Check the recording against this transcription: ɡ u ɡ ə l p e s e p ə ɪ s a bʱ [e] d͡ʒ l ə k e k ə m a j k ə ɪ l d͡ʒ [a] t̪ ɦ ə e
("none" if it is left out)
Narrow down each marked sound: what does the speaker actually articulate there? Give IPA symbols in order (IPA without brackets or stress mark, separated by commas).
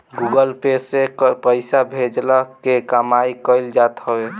e, a